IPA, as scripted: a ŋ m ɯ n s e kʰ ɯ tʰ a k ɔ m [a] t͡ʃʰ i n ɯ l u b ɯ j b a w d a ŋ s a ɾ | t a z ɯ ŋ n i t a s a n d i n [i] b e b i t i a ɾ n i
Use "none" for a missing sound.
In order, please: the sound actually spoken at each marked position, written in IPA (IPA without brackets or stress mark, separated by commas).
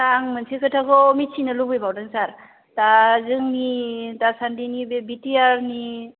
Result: i, i